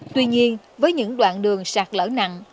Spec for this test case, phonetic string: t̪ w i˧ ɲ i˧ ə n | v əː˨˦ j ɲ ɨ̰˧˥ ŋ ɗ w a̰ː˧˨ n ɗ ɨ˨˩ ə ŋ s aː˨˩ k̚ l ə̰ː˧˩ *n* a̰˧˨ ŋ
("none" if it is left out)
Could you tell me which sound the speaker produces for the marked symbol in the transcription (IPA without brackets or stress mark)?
n